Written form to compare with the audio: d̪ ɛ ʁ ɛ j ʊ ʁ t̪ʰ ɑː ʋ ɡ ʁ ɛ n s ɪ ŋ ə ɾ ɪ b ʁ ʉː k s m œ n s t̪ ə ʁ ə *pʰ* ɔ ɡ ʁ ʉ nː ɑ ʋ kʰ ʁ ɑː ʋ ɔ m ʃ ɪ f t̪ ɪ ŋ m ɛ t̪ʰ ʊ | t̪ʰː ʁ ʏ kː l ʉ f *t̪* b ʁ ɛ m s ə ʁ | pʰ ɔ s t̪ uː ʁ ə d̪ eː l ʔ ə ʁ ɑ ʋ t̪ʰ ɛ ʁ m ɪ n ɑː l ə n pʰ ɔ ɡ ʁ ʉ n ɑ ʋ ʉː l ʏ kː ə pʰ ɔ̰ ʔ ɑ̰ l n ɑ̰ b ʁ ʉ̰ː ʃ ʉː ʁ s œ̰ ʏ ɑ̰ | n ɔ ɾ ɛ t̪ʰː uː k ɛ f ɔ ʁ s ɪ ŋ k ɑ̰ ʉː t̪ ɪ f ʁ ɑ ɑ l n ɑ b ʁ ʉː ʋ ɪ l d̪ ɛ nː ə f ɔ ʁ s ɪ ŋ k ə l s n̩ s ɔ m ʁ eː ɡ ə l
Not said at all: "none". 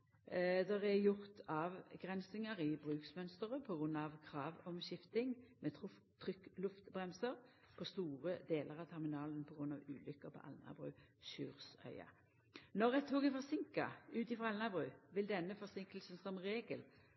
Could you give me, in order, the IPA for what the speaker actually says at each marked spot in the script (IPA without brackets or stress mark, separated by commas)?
pʰ, t̪